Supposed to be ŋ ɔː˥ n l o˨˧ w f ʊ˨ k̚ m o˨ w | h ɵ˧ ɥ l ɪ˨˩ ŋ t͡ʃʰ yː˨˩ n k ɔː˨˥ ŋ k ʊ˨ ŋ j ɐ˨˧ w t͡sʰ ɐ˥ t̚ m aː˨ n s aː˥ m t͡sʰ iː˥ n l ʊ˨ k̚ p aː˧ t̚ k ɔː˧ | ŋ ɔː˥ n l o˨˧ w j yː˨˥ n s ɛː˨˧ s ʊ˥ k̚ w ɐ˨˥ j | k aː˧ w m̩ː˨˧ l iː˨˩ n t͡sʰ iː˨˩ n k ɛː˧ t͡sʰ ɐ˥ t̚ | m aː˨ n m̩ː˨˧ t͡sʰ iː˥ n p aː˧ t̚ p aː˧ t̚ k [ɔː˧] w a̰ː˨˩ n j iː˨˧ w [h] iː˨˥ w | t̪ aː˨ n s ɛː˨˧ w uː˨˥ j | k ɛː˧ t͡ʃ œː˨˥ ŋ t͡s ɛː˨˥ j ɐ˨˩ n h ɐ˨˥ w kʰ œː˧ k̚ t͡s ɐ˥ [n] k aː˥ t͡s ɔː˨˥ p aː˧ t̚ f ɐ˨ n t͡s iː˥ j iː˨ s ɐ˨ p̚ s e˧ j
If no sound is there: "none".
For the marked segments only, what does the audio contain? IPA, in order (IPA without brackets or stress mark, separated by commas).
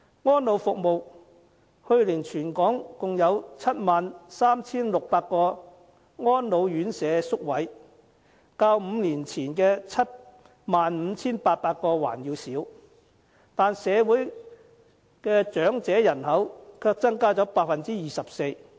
ɔː˧, s, ŋ